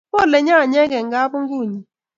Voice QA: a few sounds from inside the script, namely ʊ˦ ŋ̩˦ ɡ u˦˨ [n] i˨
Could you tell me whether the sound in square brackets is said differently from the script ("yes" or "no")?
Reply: yes